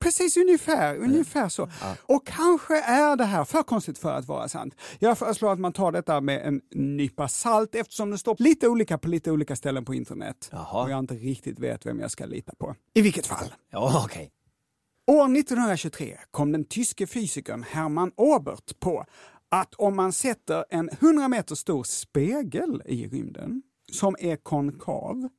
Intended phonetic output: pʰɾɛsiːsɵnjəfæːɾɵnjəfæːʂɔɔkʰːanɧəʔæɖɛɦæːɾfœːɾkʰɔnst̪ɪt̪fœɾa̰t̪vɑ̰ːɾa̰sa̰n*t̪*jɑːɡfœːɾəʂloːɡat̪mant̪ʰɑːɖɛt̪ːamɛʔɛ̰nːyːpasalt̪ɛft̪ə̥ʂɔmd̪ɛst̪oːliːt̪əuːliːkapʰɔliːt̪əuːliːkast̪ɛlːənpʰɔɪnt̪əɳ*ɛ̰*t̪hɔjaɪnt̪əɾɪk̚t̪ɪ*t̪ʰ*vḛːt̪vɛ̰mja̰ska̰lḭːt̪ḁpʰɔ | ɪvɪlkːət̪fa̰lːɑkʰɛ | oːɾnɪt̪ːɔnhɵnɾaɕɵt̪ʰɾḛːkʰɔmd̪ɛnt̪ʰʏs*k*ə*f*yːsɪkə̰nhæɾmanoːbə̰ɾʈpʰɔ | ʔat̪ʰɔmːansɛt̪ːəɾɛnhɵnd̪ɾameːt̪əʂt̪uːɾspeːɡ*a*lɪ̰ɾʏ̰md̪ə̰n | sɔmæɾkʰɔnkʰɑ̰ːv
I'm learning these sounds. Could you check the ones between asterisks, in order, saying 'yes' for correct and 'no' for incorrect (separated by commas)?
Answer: yes, yes, no, yes, yes, no